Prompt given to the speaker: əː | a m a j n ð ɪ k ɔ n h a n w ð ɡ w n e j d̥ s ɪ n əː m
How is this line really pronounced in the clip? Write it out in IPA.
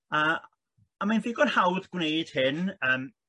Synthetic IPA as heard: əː | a m a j n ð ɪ ɡ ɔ n h a w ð ɡ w n e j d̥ h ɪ n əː m